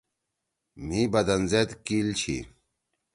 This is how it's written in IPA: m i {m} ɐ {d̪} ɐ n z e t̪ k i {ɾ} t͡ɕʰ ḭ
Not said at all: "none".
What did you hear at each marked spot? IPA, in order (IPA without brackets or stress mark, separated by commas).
b, d̪, l